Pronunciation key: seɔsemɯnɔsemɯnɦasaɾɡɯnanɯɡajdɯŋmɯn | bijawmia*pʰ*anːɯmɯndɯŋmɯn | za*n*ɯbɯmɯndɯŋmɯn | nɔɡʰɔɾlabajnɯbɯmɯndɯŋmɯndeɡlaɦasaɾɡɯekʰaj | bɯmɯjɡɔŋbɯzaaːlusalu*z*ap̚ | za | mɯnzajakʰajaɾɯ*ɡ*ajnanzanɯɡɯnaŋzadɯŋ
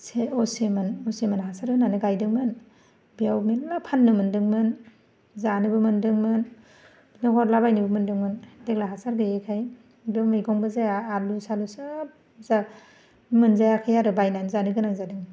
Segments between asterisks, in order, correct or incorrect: correct, correct, incorrect, incorrect

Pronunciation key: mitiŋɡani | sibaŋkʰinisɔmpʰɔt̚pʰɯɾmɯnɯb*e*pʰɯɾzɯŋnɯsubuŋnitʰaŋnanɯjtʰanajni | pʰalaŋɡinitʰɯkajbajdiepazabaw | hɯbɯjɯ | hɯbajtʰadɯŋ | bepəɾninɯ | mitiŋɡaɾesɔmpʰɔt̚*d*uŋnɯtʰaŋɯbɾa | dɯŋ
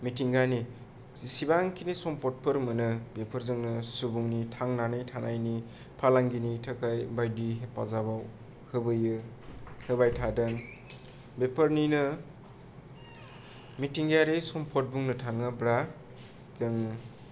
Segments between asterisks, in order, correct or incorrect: correct, incorrect

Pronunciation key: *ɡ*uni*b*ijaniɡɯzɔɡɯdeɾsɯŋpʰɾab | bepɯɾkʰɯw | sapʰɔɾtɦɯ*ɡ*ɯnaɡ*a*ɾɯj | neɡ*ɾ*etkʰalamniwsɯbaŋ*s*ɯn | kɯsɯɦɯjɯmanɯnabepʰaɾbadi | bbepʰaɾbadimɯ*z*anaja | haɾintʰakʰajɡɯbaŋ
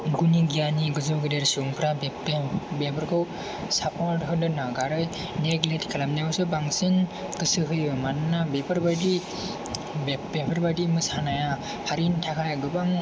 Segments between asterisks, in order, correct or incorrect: correct, incorrect, incorrect, correct, incorrect, correct, incorrect

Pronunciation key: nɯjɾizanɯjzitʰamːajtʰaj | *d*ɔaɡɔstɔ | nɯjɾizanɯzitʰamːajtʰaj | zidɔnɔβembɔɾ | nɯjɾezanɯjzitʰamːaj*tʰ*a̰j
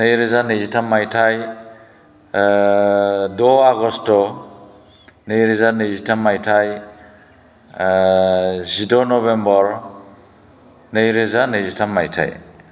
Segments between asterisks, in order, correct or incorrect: correct, correct

